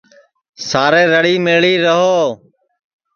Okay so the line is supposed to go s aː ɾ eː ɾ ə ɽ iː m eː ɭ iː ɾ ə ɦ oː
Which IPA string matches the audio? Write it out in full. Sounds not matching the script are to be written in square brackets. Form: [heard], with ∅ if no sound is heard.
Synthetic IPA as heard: s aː ɾ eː ɾ ə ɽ iː m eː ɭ iː ɾ ə ɦ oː